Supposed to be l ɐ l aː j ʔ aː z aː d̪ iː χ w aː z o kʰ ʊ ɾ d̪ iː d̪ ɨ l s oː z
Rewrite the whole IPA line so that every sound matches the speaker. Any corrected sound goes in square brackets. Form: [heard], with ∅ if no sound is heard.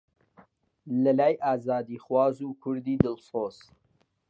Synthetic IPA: l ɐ l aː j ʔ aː z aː d̪ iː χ w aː z [u] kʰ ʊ ɾ d̪ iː d̪ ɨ l s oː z